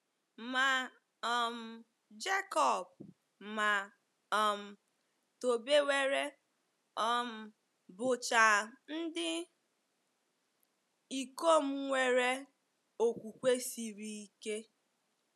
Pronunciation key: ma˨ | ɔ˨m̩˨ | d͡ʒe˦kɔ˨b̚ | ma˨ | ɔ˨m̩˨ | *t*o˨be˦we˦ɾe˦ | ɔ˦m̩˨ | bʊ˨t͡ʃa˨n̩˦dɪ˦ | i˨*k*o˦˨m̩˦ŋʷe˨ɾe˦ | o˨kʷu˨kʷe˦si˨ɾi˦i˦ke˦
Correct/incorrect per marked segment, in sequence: correct, correct

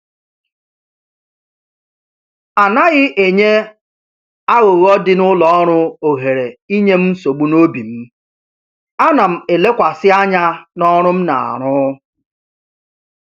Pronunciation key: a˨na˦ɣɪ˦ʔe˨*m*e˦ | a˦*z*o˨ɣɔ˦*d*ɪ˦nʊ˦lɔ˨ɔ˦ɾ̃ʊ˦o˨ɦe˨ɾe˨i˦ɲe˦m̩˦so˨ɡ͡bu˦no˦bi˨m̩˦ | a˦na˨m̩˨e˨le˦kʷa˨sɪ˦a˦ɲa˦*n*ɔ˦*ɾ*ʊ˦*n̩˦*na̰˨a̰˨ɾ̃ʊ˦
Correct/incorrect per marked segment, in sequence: incorrect: ɲ, incorrect: ɣ, correct, correct, correct, incorrect: m̩˦

